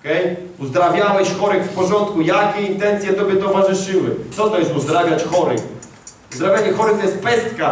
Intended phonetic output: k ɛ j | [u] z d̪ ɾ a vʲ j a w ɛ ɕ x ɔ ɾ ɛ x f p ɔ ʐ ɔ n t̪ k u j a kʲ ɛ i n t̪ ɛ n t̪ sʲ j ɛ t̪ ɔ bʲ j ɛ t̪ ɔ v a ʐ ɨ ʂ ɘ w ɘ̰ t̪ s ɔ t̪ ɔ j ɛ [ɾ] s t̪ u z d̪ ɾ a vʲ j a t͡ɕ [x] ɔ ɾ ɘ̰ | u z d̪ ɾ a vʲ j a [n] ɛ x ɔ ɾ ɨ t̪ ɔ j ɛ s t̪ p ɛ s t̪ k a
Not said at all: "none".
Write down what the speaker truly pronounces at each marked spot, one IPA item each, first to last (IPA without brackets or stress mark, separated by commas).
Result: u, none, x, ɲ